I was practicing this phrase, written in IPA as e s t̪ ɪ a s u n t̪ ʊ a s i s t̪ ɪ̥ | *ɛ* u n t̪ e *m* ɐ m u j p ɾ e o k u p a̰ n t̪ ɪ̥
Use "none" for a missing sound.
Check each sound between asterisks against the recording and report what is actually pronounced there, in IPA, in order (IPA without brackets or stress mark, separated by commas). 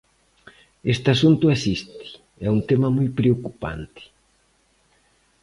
ɛ, m